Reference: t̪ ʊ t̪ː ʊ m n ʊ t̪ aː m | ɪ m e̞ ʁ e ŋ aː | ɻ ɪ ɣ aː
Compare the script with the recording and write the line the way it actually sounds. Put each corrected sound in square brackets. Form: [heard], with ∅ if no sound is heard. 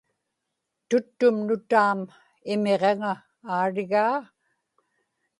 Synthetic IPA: t̪ ʊ t̪ː ʊ m n ʊ t̪ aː m | ɪ m e̞ ʁ e ŋ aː | ɻ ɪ ɣ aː